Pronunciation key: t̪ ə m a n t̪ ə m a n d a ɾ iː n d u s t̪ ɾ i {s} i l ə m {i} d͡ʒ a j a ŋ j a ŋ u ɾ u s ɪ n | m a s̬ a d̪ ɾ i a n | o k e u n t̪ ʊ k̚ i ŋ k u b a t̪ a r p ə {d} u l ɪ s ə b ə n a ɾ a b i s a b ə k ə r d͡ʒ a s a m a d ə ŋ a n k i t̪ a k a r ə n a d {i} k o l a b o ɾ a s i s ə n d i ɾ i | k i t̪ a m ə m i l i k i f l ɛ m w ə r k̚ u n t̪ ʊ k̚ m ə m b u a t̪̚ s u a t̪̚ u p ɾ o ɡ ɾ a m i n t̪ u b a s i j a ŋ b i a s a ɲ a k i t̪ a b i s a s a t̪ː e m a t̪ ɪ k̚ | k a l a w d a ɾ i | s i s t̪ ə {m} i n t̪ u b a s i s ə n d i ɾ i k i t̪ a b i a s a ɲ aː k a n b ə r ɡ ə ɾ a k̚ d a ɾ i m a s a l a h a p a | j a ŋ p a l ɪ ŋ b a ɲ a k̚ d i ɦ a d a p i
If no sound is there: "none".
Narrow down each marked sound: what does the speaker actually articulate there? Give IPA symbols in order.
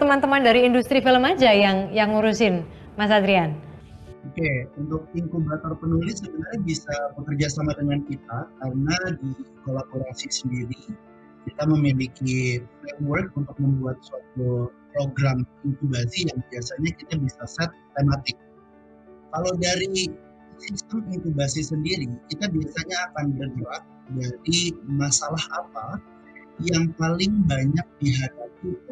f, a, n, i, m

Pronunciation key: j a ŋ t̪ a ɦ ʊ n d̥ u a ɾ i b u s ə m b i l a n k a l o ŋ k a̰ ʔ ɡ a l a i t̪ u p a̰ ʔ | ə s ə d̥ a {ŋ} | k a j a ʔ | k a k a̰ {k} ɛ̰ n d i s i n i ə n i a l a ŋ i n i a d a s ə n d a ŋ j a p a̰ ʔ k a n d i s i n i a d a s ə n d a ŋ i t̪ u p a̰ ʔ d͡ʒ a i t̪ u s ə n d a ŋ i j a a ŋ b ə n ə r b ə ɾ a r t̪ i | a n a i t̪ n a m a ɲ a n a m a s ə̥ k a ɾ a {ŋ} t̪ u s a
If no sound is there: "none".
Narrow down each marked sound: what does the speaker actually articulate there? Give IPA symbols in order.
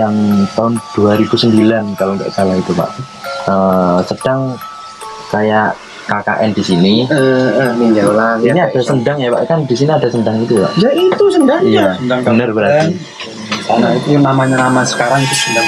ŋ, ʔ, ŋ

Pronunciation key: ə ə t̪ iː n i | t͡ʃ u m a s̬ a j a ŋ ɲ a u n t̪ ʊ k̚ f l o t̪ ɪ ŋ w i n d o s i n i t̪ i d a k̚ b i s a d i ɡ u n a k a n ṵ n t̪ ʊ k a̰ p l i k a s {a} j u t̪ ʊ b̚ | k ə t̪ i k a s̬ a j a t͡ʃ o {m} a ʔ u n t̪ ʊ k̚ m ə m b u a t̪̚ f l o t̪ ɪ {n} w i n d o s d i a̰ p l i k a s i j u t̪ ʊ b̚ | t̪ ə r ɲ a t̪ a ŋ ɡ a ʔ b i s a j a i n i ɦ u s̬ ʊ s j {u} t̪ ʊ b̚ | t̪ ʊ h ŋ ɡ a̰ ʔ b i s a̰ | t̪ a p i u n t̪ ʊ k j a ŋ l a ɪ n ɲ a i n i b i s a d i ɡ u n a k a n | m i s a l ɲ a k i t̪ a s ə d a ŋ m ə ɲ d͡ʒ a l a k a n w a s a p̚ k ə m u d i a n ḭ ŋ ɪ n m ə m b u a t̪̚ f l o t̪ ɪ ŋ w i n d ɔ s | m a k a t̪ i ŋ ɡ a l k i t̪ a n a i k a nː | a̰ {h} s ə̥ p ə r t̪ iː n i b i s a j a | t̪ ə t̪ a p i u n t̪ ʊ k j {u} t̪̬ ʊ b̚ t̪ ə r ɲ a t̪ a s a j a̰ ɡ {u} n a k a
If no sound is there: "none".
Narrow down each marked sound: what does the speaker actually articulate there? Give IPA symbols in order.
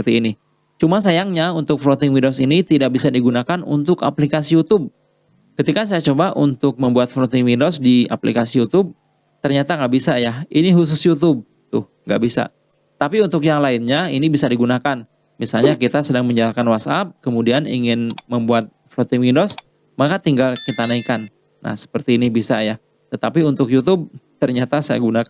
i, b, ŋ, u, h, u, u

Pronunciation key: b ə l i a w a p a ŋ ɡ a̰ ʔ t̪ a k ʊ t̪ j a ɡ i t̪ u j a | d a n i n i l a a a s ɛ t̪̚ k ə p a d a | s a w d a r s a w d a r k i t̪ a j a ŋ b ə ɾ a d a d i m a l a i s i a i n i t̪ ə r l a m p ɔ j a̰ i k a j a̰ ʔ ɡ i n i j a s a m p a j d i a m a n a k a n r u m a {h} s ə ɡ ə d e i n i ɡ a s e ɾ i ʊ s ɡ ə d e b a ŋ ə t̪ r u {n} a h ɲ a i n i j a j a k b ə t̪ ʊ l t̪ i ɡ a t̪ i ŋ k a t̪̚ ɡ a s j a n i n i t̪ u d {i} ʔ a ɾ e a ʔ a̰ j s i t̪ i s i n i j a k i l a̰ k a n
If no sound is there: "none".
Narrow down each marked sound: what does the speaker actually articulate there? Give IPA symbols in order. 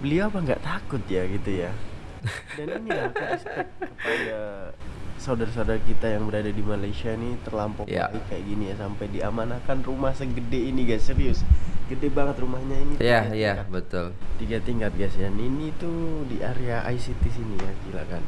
h, m, i

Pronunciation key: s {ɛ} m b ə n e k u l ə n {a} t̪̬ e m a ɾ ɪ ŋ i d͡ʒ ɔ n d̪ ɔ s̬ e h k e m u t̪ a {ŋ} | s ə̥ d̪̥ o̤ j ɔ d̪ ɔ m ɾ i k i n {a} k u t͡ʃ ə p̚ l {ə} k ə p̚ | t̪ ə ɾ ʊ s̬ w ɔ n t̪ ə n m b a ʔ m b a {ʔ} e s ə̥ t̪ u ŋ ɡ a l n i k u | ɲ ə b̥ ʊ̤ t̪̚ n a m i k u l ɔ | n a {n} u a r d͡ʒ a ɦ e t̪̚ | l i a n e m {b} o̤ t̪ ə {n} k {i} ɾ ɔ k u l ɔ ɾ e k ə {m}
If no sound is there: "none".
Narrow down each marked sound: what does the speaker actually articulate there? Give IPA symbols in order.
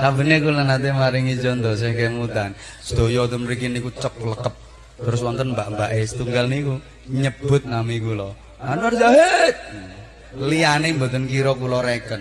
a, a, n, i, ə, ʔ, n, b, n, i, n

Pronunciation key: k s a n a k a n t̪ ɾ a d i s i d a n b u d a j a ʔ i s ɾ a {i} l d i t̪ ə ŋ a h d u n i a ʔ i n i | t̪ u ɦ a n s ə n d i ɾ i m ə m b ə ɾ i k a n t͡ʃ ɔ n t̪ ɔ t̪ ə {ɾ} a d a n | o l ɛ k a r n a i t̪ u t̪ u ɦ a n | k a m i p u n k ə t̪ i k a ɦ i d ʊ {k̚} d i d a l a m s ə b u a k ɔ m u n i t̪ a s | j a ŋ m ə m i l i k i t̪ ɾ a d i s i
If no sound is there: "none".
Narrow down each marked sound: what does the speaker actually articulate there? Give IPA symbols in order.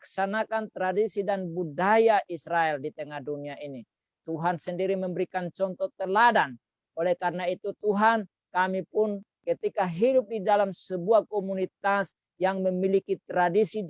ɛ, l, p̚

